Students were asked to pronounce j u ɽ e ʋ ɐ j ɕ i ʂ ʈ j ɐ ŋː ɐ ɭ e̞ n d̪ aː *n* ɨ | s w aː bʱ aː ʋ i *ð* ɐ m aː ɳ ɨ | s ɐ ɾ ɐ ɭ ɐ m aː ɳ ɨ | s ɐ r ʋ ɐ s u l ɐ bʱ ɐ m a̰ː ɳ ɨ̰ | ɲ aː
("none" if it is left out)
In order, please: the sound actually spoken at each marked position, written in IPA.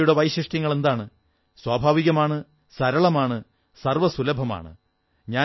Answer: ɳ, ɣ

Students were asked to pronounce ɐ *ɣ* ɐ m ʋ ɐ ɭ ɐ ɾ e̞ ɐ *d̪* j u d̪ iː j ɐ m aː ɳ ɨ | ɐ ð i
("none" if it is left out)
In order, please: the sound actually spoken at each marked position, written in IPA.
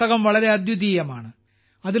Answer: ɣ, d̪

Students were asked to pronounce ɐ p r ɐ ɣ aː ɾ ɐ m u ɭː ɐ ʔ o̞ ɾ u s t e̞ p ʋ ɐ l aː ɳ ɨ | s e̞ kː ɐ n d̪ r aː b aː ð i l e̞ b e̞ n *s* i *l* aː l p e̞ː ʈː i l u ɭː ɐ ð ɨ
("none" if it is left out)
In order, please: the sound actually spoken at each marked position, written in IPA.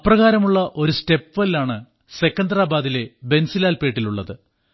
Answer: s, l

